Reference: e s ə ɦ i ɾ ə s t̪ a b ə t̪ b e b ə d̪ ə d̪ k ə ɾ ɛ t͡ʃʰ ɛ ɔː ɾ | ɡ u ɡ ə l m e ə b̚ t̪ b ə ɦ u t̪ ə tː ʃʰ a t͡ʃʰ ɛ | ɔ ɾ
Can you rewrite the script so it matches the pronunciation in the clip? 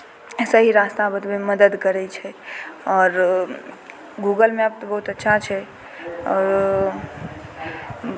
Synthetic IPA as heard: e s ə ɦ i ɾ a s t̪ a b ə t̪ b e m ə d̪ ə d̪ k ə ɾ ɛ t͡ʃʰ ɛ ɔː ɾ | ɡ u ɡ ə l m e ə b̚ t̪ b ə ɦ u t̪ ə tː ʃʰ a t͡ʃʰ ɛ | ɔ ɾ